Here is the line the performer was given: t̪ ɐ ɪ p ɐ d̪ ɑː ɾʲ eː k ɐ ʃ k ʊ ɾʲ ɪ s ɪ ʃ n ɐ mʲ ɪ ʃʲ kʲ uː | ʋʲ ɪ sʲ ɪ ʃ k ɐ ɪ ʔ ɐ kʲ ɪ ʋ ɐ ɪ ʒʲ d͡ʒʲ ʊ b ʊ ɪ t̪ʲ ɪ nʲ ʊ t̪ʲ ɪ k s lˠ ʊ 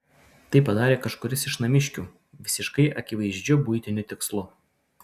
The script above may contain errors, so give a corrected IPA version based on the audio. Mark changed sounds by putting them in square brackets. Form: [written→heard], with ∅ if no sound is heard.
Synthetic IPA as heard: t̪ ɐ ɪ p ɐ d̪ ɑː ɾʲ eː k ɐ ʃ k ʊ ɾʲ ɪ s ɪ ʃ n ɐ mʲ ɪ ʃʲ kʲ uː | ʋʲ ɪ sʲ ɪ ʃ k ɐ ɪ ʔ ɐ kʲ ɪ ʋ ɐ ɪ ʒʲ d͡ʒʲ ʊ b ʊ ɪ t̪ʲ ɪ nʲ ʊ t̪ʲ ɪ k s lˠ ʊ